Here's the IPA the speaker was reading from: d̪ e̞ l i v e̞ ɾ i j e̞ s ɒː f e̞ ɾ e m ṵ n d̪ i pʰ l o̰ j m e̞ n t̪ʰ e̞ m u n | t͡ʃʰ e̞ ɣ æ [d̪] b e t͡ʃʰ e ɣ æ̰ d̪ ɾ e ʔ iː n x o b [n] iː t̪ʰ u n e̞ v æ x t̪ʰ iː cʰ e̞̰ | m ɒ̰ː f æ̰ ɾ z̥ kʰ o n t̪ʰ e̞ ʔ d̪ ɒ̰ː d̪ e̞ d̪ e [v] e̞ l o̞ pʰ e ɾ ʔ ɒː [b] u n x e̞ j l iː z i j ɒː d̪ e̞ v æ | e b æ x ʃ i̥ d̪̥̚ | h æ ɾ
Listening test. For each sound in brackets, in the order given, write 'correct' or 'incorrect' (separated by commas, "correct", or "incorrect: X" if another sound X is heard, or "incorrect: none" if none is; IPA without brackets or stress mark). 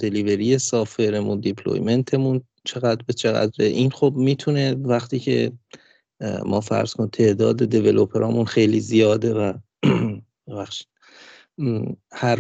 correct, incorrect: m, correct, incorrect: m